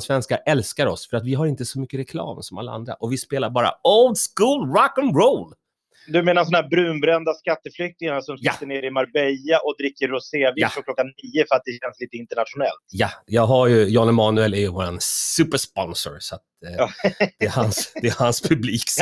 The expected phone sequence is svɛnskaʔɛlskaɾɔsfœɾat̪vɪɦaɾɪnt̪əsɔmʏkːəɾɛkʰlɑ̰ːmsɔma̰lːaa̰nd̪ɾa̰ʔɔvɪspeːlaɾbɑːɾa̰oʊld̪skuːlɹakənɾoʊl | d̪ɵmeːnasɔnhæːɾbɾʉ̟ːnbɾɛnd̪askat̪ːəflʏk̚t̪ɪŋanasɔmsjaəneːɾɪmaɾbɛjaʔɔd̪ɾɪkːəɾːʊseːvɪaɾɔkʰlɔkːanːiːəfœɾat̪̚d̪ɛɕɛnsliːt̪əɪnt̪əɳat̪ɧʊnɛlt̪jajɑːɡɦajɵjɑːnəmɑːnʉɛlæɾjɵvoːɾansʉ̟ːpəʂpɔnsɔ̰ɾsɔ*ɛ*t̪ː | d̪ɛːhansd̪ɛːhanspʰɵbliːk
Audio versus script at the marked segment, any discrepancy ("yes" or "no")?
yes